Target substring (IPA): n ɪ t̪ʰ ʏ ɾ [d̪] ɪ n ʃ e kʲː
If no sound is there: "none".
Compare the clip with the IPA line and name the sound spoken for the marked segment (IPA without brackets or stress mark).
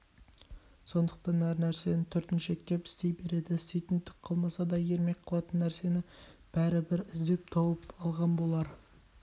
t̪